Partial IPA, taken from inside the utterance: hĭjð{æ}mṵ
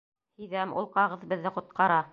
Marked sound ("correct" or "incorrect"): correct